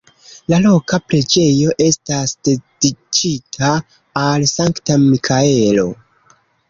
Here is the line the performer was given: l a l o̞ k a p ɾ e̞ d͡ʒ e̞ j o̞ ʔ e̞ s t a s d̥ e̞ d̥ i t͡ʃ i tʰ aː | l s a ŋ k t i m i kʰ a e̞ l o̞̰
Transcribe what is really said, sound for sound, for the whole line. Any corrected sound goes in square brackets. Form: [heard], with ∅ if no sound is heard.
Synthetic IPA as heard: l a l o̞ k a p ɾ e̞ d͡ʒ e̞ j o̞ ʔ e̞ s t a s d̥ e̞ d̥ i t͡ʃ i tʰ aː | l s a ŋ k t [a] m i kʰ a e̞ l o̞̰